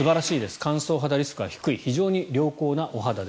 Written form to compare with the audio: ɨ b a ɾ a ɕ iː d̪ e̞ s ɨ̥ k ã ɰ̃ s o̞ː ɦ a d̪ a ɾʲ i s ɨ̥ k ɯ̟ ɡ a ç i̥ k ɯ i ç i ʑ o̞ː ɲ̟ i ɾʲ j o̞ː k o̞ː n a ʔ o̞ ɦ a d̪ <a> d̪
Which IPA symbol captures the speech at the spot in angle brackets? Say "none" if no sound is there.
a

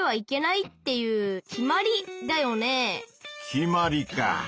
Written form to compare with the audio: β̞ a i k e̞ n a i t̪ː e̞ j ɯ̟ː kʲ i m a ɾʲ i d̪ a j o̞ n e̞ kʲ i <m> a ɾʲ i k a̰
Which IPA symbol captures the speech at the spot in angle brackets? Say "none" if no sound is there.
m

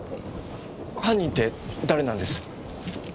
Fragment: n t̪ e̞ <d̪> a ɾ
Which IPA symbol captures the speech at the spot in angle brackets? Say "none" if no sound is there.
d̪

